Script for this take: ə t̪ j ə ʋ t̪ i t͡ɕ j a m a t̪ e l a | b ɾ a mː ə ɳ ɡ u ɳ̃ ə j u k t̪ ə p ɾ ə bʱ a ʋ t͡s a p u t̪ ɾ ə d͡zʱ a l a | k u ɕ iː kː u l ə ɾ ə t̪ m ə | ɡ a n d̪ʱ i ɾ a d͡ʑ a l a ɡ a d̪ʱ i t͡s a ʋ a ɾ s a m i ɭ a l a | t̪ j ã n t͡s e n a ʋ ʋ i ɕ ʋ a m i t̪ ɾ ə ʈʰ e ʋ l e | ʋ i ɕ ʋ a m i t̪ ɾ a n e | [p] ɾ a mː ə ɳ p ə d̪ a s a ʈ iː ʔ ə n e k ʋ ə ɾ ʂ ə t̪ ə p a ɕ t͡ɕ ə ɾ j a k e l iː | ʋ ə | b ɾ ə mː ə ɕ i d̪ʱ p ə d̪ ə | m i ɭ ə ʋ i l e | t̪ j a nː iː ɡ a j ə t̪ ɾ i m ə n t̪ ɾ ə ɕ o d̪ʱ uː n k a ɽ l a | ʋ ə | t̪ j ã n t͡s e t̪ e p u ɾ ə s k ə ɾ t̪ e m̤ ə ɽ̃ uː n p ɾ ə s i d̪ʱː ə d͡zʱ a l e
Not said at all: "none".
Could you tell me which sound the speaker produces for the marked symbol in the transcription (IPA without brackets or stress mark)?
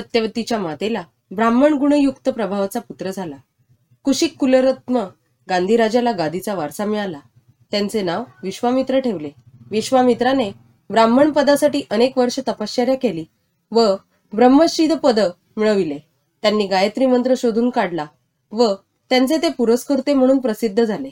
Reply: b